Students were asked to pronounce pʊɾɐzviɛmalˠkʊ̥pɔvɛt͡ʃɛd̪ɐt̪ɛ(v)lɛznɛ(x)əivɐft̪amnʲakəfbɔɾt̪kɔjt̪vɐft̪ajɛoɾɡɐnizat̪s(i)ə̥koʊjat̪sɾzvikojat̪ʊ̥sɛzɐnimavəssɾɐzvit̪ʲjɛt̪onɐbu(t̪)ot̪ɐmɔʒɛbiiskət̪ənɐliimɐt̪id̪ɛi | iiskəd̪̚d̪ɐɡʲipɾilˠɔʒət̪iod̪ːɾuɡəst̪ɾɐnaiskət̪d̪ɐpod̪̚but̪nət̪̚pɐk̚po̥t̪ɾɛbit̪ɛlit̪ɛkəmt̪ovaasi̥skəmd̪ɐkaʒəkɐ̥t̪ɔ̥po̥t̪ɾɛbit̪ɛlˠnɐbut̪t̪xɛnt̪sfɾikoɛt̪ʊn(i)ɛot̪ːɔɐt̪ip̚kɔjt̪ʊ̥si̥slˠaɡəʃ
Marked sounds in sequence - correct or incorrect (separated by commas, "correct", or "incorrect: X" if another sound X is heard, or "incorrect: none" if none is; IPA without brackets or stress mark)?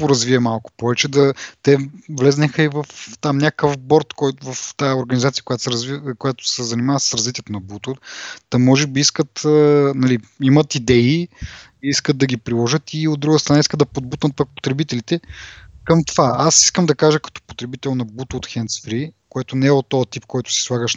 correct, correct, correct, correct, incorrect: ɛ